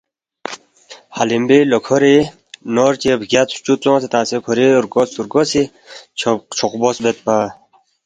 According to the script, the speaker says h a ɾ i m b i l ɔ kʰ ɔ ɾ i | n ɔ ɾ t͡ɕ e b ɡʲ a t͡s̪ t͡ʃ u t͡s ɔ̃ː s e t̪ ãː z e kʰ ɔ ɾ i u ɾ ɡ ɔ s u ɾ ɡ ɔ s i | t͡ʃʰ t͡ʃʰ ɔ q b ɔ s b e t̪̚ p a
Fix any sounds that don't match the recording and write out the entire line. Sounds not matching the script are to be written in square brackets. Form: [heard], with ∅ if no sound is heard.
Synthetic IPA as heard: h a [l] i m b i l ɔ kʰ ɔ ɾ i | n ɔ ɾ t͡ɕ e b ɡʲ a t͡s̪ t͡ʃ u t͡s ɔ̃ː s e t̪ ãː [s] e kʰ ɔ ɾ i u ɾ ɡ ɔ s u ɾ ɡ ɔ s i | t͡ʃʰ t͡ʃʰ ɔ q b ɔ s b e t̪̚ p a